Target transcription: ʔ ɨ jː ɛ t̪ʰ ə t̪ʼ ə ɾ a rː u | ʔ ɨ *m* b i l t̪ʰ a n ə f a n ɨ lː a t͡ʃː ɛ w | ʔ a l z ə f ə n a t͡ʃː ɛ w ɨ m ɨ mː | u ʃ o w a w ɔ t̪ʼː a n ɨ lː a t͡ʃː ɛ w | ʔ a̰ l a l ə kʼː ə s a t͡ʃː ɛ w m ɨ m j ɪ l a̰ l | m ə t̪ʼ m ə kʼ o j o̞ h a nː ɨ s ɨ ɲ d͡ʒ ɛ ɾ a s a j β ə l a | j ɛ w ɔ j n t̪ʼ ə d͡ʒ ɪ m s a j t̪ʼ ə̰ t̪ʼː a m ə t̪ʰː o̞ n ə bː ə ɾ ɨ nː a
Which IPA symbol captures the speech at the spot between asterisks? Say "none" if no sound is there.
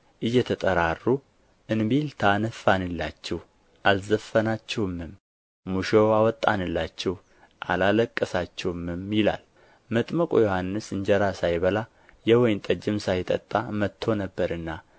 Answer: n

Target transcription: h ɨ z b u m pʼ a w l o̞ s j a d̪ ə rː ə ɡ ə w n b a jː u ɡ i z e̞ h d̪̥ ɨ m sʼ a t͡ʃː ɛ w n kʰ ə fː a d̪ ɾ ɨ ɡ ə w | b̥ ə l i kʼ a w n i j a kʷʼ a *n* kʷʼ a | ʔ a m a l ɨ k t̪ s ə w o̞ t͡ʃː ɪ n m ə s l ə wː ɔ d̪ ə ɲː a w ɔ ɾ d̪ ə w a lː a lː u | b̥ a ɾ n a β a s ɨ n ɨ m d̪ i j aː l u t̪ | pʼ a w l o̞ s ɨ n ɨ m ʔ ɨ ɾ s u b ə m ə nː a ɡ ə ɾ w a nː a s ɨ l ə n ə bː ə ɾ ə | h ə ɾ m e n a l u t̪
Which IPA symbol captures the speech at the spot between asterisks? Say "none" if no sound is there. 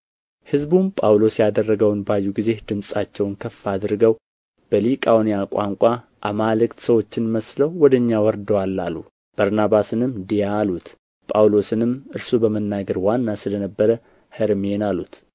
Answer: ŋ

